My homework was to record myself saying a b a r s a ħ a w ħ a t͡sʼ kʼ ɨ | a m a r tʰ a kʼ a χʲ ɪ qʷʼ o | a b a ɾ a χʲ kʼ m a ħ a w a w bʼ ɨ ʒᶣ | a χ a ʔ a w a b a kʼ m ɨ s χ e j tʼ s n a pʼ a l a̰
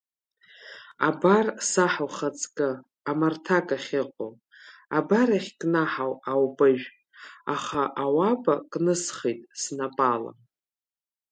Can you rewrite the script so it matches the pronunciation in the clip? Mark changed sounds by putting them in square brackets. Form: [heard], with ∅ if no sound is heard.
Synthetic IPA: a b a r s a ħ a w [χ] a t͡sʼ kʼ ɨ | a m a r tʰ a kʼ a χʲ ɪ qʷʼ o | a b a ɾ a χʲ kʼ [n] a ħ a w a w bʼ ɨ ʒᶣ | a χ a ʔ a w a b a kʼ [n] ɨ s χ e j tʼ s n a pʼ a l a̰